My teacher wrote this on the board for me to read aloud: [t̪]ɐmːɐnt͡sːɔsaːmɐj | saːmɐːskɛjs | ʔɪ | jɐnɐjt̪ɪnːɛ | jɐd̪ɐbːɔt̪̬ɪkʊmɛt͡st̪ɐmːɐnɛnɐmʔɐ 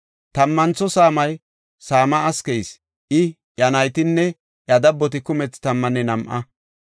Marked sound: correct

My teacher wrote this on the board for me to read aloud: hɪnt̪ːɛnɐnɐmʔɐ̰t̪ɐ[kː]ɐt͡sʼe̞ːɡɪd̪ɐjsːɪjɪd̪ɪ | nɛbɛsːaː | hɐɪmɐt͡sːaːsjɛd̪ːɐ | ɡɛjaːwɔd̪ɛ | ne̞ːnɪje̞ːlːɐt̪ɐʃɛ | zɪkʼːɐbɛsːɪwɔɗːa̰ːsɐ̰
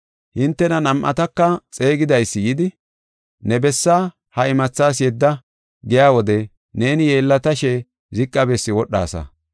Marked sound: correct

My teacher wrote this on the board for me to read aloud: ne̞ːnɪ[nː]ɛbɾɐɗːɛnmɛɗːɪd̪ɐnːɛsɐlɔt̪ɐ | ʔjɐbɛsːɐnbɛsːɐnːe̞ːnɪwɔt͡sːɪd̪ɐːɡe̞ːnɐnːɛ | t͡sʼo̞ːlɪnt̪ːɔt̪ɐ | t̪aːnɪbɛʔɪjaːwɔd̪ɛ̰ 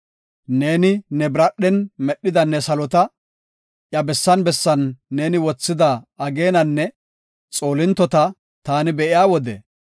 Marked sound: incorrect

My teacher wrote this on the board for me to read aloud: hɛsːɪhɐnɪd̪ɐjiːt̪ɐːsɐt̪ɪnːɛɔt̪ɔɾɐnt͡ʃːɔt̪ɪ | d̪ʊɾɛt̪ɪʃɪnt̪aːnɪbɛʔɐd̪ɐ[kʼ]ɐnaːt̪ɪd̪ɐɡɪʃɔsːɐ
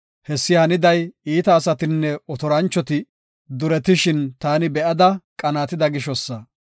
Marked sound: correct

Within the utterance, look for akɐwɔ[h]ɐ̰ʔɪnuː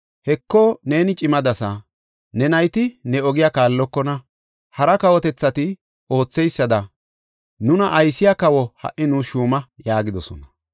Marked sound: correct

